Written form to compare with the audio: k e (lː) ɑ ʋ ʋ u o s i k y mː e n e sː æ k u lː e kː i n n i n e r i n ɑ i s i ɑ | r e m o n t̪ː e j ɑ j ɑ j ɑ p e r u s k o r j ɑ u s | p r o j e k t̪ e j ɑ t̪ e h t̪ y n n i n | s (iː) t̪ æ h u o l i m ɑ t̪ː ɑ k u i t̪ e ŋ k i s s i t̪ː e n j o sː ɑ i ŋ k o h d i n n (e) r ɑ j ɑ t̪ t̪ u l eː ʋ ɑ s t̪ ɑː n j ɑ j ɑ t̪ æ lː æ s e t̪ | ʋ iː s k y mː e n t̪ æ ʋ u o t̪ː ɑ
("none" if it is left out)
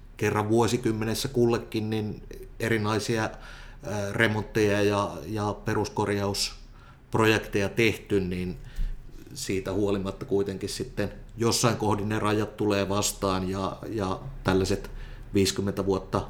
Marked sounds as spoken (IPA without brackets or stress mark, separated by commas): rː, iː, e